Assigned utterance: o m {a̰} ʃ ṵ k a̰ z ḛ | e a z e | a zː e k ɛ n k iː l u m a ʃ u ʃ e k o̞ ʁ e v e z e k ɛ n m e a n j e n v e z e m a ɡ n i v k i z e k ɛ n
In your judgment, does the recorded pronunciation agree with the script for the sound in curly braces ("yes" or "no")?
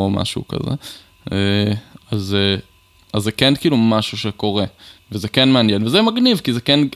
yes